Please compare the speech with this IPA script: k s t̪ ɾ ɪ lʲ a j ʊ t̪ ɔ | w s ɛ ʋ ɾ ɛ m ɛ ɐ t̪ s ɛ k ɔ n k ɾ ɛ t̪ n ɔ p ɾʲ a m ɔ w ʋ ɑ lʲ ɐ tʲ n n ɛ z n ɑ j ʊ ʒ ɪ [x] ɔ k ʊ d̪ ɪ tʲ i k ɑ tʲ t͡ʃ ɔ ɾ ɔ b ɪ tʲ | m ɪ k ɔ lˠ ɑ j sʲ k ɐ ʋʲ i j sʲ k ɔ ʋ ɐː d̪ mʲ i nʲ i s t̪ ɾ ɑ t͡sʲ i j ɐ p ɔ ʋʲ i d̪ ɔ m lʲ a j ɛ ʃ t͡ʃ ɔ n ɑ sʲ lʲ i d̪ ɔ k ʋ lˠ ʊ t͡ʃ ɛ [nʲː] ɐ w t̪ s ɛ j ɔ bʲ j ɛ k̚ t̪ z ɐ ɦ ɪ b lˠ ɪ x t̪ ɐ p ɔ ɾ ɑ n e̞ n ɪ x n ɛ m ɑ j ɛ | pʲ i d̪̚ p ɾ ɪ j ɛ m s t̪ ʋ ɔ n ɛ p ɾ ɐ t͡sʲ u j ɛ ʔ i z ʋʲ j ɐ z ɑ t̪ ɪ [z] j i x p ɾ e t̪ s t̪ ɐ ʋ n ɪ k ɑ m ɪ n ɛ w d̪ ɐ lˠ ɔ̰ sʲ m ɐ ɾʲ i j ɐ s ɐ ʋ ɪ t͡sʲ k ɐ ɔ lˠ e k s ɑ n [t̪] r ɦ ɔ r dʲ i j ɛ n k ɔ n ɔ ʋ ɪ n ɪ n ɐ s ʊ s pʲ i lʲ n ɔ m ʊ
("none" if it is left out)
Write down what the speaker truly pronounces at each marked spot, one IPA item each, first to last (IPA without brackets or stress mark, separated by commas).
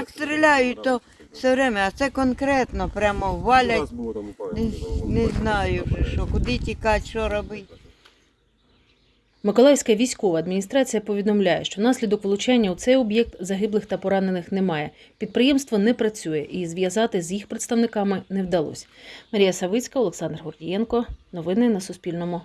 ʃ, nʲː, z, d̪